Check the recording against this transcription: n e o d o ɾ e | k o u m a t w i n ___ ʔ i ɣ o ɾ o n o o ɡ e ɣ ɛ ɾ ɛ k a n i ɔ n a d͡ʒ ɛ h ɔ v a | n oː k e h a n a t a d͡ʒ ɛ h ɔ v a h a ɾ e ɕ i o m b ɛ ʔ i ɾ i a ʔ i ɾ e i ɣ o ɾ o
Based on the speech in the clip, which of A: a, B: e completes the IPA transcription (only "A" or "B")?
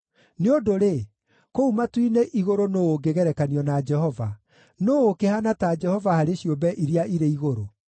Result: B